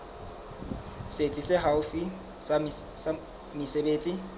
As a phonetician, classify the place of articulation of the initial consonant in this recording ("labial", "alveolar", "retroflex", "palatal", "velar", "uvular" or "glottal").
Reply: alveolar